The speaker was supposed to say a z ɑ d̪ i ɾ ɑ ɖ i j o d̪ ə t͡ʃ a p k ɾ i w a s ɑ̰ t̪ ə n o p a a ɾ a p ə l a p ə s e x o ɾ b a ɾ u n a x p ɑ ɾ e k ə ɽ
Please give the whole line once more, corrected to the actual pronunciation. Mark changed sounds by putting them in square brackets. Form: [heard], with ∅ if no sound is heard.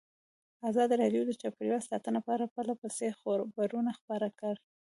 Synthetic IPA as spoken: a z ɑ d̪ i ɾ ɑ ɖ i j o d̪ ə t͡ʃ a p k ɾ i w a s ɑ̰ t̪ ə n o p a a ɾ a p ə l a p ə s e x o ɾ b a ɾ u n a x p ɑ ɾ [a] k ə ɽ